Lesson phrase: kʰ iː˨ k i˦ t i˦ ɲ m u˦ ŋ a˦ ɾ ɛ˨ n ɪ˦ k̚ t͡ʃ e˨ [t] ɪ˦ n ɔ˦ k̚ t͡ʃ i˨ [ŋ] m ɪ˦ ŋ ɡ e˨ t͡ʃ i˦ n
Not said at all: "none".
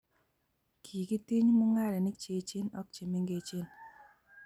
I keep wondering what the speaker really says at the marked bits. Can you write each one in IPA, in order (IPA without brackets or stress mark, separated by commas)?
t͡ʃ, none